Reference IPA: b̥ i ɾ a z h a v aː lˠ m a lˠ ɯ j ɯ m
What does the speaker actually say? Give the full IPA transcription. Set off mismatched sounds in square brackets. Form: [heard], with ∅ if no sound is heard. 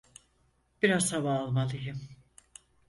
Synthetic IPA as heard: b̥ i ɾ a z h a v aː lˠ m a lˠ ɯ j ɯ m